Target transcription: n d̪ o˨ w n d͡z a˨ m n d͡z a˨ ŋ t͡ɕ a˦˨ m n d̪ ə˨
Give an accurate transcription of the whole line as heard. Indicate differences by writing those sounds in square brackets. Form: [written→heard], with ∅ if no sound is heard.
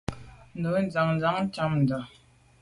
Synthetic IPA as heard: n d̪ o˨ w n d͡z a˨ [m→ŋ] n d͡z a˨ ŋ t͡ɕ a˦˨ m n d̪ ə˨